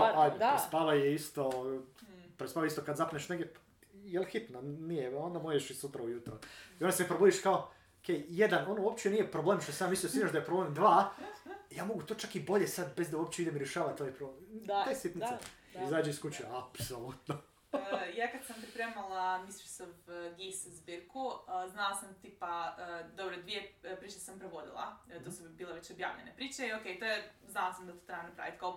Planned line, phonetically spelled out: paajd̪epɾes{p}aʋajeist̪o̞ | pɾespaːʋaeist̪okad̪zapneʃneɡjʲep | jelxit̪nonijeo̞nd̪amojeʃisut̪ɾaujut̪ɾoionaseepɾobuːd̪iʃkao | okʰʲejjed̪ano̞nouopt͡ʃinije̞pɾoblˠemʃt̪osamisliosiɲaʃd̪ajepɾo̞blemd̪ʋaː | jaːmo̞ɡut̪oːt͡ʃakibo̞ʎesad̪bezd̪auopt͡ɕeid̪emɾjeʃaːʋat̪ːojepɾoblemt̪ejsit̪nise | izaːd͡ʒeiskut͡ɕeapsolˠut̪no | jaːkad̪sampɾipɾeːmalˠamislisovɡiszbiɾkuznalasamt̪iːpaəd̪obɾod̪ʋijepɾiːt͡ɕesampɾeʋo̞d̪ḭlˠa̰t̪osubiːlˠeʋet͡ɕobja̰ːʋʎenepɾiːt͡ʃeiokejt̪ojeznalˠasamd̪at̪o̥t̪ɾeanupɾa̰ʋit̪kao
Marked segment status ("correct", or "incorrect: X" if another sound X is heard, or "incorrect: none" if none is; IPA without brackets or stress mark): correct